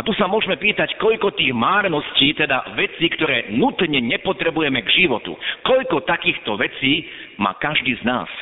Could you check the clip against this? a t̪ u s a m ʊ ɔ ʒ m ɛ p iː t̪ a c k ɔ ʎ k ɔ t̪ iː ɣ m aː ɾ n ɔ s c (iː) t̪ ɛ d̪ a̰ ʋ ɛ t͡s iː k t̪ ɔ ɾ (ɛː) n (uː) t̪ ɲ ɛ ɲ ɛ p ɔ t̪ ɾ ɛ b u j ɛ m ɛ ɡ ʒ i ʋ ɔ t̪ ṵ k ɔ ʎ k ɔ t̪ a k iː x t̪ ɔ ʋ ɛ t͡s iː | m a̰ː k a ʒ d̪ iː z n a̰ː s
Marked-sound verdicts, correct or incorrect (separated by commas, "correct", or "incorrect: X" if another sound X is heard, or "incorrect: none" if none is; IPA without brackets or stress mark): correct, correct, incorrect: u